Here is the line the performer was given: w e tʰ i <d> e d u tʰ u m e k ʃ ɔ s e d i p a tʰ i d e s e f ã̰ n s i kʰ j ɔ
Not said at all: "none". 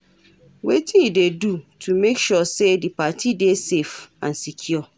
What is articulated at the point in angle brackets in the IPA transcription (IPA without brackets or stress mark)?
d